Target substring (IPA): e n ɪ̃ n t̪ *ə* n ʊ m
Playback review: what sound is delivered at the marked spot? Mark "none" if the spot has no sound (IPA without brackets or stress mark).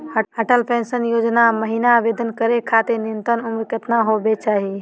ə